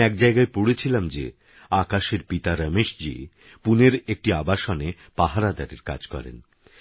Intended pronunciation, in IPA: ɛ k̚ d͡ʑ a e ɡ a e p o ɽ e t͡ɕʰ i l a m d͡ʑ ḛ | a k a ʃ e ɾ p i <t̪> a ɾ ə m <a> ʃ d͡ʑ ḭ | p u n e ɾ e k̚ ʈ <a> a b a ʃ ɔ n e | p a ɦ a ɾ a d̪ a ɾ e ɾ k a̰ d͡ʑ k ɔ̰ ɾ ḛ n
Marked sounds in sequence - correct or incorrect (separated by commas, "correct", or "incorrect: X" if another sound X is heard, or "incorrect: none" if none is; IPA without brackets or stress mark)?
correct, incorrect: e, incorrect: i